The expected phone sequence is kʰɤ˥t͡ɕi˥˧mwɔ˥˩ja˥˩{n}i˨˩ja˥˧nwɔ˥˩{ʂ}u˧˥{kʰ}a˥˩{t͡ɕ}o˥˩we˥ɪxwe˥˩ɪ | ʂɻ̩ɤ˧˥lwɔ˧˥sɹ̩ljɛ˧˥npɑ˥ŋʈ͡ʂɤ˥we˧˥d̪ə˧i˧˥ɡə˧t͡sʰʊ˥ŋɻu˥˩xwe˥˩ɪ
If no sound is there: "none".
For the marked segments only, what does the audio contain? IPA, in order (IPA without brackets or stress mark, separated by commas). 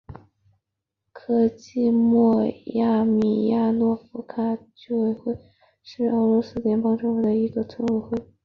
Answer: m, f, kʰ, t͡ɕ